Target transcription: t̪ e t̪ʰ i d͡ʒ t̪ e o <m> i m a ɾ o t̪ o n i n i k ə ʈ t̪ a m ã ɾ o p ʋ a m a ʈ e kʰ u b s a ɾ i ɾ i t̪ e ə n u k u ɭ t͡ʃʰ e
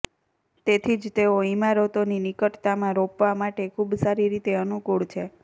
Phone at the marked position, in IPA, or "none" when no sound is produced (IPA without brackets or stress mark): none